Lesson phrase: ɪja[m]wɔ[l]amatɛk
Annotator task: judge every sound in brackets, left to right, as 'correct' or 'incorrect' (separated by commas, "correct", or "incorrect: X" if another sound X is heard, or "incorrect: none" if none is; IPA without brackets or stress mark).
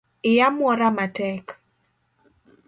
correct, incorrect: ɾ